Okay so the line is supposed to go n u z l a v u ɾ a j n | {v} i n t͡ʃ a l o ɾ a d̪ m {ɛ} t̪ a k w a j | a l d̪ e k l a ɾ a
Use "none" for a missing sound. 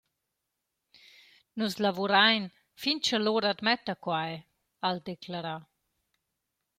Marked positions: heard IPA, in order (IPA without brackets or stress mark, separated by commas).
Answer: f, ɛ